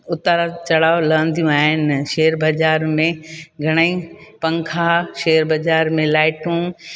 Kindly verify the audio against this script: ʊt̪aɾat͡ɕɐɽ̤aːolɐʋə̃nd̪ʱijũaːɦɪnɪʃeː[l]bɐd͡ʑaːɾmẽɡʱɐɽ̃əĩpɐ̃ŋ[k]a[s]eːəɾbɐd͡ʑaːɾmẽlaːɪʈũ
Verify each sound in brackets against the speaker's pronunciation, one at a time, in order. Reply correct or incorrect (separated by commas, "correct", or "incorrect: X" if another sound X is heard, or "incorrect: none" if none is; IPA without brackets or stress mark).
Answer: incorrect: ɾ, incorrect: kʰ, incorrect: ʃ